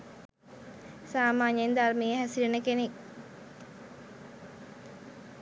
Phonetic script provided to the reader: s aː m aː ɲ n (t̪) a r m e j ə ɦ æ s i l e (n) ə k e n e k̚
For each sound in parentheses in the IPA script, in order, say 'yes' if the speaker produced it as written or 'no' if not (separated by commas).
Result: no, yes